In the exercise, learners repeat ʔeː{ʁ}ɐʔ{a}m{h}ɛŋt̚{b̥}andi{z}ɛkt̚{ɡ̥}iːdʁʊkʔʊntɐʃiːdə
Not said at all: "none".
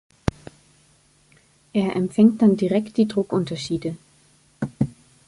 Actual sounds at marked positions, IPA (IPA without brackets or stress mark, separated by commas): none, ɛ, f, d̥, ʁ, d̥